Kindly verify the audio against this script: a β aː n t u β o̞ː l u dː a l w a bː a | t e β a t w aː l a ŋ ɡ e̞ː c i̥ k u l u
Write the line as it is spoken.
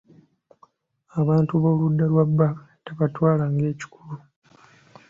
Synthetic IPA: a β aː n t u β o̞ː l u dː a l w a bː a | t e β a t w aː l a ŋ ɡ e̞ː c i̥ k u l u